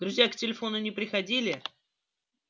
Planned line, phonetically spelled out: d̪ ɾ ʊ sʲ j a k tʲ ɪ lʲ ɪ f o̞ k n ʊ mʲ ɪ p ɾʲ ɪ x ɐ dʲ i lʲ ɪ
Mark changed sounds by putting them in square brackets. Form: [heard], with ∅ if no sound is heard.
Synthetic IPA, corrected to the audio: d̪ ɾ ʊ [zʲ] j a k tʲ ɪ lʲ ɪ f o̞ [∅] n ʊ [nʲ] ɪ p ɾʲ ɪ x ɐ dʲ i lʲ ɪ